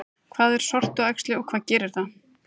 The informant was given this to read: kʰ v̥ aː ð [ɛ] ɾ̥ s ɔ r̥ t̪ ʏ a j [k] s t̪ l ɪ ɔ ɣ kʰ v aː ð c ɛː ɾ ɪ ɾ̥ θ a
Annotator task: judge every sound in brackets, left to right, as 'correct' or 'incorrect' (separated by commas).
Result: correct, correct